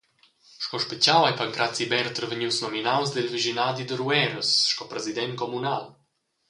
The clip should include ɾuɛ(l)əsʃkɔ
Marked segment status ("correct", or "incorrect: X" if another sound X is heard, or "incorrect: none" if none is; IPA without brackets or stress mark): incorrect: ɾ